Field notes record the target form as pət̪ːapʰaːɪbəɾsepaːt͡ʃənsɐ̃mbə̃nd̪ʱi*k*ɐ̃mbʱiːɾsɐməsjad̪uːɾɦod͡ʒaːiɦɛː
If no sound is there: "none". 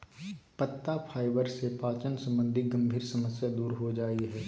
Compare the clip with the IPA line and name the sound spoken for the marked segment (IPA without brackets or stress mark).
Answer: ɡ